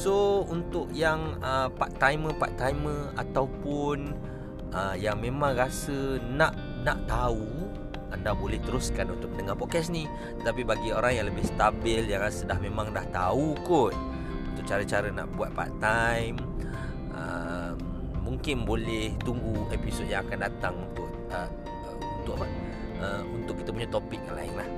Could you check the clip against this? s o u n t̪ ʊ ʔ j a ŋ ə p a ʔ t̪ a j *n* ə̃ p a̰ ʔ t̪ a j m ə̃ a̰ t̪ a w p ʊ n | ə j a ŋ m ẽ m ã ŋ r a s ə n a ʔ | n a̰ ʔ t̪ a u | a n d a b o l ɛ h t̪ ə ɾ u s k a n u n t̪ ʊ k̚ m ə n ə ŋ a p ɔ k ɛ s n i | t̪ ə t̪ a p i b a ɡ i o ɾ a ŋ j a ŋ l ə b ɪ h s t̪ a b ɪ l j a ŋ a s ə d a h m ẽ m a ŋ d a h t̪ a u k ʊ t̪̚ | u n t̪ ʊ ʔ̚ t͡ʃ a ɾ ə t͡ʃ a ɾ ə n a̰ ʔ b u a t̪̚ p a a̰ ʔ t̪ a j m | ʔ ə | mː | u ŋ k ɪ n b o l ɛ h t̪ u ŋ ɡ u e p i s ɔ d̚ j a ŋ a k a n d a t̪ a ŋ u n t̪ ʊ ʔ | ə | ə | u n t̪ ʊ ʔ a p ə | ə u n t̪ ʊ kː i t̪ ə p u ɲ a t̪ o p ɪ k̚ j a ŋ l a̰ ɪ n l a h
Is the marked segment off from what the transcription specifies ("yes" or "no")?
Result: yes